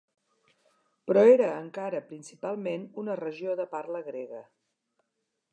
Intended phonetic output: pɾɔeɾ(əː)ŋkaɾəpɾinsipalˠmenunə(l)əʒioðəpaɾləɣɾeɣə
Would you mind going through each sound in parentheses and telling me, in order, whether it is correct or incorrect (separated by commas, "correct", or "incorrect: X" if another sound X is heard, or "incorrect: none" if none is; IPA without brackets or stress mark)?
correct, incorrect: r